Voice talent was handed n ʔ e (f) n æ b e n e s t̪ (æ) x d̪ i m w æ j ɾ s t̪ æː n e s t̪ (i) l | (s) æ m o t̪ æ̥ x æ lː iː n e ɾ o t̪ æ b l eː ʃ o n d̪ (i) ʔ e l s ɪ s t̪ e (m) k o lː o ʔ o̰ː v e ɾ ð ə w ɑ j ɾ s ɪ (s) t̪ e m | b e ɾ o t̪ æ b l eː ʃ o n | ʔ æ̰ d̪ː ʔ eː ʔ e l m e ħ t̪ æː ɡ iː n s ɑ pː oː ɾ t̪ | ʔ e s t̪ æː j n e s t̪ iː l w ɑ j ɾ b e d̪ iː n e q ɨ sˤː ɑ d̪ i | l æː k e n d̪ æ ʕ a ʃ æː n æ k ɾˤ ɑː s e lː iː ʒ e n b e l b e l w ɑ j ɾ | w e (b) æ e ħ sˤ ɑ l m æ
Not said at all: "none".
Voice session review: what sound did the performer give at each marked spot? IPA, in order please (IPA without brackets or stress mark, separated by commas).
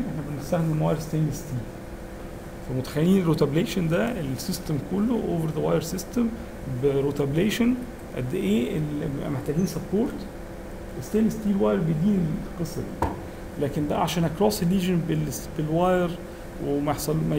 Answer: ħ, æ, iː, f, æ, m, s, m